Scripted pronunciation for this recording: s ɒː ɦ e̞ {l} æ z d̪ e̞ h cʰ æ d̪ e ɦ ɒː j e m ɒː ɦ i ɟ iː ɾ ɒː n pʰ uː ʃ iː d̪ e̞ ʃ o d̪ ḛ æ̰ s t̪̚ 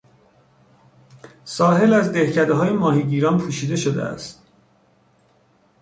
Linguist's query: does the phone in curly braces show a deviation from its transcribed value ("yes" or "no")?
no